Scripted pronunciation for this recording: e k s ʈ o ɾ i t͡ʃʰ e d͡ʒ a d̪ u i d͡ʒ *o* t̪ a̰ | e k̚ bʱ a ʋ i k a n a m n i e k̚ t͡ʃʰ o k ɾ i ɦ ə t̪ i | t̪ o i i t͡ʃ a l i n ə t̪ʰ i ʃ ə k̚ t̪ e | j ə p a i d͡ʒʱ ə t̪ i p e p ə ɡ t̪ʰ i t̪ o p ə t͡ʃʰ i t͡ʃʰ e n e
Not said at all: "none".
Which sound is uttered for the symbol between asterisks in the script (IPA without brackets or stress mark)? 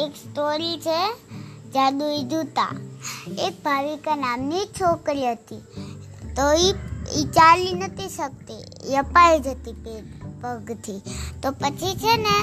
u